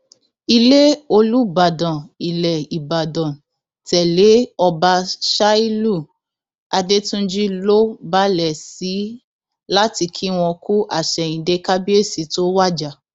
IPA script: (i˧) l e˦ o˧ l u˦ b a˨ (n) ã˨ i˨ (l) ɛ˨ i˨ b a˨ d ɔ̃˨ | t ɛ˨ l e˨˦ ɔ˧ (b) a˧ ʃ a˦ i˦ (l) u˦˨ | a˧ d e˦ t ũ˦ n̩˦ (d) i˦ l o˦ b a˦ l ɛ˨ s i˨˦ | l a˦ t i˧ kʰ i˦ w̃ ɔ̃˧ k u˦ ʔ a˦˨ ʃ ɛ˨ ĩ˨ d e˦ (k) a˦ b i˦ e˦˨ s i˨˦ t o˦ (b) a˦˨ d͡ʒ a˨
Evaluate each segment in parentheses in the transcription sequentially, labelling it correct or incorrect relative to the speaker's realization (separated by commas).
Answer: correct, incorrect, correct, correct, correct, incorrect, correct, incorrect